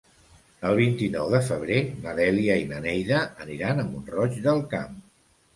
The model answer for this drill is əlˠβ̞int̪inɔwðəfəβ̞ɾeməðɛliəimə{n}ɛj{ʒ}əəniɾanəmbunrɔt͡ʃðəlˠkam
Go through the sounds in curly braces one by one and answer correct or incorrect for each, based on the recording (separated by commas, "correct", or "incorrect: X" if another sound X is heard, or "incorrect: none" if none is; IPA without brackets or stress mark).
correct, incorrect: ð